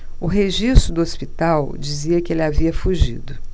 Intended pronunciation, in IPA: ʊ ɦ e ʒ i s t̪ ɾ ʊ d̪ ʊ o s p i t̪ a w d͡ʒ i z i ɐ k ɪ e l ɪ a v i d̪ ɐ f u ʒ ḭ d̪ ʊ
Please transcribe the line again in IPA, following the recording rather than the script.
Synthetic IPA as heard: ʊ ɦ e ʒ i s t̪ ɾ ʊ d̪ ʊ o s p i t̪ a w d͡ʒ i z i ɐ k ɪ e l ɪ a v i ɐ f u ʒ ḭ d̪ ʊ